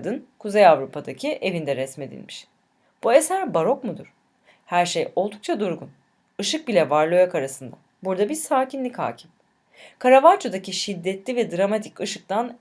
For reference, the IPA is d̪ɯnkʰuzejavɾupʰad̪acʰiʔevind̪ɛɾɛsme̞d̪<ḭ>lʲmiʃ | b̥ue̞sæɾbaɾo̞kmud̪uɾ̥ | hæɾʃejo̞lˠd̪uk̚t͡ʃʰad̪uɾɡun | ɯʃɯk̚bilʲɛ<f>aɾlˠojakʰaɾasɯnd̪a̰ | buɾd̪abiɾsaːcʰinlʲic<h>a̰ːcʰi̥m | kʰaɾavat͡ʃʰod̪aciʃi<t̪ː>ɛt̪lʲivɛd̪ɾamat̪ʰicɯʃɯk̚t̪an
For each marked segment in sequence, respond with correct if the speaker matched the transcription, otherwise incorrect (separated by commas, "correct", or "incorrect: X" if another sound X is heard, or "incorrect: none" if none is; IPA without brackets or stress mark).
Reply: correct, incorrect: v, correct, incorrect: d̪ː